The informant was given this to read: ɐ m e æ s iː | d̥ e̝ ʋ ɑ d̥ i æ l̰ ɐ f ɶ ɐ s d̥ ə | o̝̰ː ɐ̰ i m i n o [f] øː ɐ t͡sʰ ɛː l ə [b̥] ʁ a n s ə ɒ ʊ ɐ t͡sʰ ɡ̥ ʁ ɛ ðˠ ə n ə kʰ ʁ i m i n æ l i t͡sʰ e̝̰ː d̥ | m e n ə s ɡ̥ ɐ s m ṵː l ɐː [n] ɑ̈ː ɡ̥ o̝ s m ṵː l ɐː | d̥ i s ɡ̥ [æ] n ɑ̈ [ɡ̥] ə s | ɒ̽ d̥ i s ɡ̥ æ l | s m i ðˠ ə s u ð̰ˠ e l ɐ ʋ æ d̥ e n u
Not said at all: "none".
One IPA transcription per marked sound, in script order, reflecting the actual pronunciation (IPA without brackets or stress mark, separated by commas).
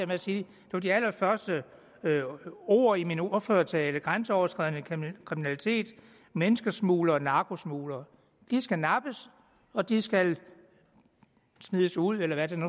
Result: f, ɡ̥, n, æ, b̥